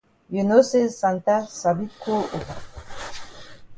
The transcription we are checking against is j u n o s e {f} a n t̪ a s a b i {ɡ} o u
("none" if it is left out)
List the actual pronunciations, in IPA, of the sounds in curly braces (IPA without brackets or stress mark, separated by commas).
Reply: s, k